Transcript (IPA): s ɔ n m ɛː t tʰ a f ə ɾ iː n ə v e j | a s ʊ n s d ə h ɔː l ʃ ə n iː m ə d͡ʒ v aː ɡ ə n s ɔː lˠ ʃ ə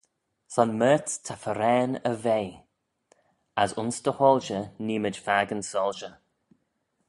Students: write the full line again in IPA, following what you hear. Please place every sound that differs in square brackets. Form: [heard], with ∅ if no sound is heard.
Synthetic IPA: s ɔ n m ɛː t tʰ a f ə ɾ [ɛː] n ə v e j | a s ʊ n s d ə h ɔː l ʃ ə n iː m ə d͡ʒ [f] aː ɡ ə n s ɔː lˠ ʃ ə